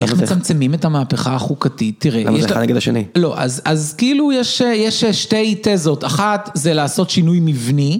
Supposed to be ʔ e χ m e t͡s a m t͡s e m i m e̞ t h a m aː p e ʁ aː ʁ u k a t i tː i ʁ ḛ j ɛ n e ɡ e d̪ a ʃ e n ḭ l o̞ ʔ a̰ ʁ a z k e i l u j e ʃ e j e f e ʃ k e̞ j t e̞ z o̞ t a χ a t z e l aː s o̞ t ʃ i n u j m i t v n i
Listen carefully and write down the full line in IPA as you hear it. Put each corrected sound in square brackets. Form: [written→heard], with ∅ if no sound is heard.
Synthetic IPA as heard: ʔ e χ m e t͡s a m t͡s e m i m e̞ t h a m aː p e [ʁ→χ] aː [ʁ→χ] u k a t i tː i ʁ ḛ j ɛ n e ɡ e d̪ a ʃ e n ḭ l o̞ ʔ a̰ [ʁ→z] a z k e i l u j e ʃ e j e [f→ʃ] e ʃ [k→t] e̞ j t e̞ z o̞ t a χ a t z e l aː s o̞ t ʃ i n u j m i [t→∅] v n i